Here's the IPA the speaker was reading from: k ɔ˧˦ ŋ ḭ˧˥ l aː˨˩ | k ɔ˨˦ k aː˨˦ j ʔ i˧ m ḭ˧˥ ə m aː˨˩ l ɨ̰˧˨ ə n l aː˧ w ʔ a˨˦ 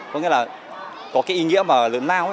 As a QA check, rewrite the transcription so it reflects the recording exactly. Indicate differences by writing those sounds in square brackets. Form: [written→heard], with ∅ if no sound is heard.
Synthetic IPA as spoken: k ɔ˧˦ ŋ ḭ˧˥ l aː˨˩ | k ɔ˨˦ k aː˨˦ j ʔ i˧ [m→ŋ] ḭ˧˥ ə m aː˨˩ l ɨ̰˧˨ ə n l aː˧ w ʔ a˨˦

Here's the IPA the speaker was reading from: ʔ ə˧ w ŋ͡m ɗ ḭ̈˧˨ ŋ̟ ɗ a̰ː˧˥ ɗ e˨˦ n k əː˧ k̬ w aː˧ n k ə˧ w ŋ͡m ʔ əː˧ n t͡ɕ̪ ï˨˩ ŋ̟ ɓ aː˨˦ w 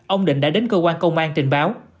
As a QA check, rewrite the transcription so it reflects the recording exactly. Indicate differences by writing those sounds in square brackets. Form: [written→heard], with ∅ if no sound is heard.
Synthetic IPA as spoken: ʔ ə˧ w ŋ͡m ɗ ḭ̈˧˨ ŋ̟ ɗ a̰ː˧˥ ɗ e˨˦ n k əː˧ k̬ w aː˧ n k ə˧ w ŋ͡m ʔ [əː˧→aː˧] n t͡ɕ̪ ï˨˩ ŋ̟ ɓ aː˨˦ w

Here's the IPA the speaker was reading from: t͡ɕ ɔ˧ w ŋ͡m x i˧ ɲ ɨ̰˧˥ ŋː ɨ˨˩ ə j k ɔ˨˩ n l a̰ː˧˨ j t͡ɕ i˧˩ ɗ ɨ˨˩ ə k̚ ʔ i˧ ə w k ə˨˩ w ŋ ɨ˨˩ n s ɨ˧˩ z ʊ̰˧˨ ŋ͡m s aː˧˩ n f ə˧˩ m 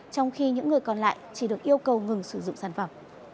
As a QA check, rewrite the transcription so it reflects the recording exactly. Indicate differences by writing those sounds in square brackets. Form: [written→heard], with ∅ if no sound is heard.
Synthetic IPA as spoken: t͡ɕ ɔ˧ w ŋ͡m x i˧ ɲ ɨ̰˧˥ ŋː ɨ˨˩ ə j k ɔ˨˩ n l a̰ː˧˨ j t͡ɕ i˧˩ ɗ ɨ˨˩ ə k̚ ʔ i˧ ə w k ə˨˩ w ŋ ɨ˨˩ [n→ŋ] s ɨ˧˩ z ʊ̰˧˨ ŋ͡m s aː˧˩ n f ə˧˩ m

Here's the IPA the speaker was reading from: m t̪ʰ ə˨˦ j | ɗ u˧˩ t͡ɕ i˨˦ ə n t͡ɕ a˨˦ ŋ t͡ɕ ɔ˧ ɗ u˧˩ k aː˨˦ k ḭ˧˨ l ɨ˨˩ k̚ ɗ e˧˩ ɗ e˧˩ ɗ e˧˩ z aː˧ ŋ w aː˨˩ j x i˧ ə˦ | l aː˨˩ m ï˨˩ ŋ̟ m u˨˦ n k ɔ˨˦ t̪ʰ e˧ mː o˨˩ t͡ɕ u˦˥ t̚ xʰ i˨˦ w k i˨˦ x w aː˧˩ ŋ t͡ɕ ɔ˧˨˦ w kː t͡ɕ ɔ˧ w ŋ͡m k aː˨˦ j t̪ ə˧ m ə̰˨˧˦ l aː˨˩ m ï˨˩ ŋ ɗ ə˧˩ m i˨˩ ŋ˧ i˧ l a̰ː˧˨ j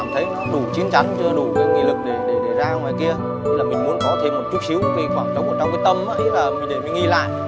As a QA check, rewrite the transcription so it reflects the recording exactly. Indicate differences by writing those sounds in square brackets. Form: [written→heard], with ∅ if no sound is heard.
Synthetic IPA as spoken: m t̪ʰ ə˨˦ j | ɗ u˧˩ t͡ɕ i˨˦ ə n t͡ɕ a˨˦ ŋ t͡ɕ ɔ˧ ɗ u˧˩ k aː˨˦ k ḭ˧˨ l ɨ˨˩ k̚ ɗ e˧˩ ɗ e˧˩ ɗ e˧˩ z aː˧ ŋ w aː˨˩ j [x→k] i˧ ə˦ | l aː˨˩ m ï˨˩ ŋ̟ m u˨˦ n k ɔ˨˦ t̪ʰ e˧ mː o˨˩ t͡ɕ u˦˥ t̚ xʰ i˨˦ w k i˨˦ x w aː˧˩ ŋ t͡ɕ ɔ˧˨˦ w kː t͡ɕ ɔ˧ w ŋ͡m k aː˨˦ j t̪ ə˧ m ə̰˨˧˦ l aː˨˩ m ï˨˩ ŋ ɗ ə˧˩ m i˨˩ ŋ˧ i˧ l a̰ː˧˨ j

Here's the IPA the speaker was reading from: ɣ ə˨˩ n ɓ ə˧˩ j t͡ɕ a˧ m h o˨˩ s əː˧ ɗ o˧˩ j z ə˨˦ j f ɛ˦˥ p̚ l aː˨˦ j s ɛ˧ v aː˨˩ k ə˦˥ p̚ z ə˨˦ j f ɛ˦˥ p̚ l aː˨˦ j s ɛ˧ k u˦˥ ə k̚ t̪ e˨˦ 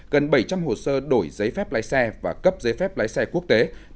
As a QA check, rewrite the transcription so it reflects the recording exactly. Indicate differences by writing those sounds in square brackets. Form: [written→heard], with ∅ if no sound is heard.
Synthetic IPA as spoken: ɣ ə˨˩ n ɓ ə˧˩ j t͡ɕ a˧ m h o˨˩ s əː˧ ɗ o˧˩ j z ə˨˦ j f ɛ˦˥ p̚ l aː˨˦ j s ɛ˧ v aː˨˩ k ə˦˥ p̚ z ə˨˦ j f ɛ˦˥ p̚ l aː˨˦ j s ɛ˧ k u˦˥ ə k̚ t̪ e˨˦

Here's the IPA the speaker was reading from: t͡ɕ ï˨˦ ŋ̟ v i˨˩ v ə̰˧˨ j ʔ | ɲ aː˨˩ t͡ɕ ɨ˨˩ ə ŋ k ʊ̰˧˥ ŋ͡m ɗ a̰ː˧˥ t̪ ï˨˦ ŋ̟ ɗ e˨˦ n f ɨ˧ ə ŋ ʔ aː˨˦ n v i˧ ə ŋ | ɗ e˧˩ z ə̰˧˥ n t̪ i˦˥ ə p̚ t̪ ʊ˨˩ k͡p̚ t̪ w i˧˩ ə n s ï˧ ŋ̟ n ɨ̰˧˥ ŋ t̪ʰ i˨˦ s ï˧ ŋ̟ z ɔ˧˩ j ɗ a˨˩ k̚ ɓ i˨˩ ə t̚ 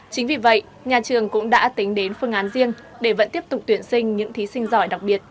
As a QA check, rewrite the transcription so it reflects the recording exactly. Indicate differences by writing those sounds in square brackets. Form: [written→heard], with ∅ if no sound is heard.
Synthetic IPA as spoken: t͡ɕ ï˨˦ ŋ̟ v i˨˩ v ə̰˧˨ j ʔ | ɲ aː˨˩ t͡ɕ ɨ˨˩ ə ŋ k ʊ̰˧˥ ŋ͡m ɗ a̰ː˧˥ t̪ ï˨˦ ŋ̟ ɗ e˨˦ n f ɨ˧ ə ŋ ʔ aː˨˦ n [v→z] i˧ ə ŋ | ɗ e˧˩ [z→v] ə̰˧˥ n t̪ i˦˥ ə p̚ t̪ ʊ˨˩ k͡p̚ t̪ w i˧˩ ə n s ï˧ ŋ̟ [n→ɲ] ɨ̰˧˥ ŋ t̪ʰ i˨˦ s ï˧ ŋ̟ z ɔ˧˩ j ɗ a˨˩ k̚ ɓ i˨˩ ə t̚

